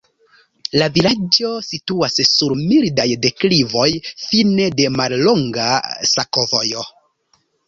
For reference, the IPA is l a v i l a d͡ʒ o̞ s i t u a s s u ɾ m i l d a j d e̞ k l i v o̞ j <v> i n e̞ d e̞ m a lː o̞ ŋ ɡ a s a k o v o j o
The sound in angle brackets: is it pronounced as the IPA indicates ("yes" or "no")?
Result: no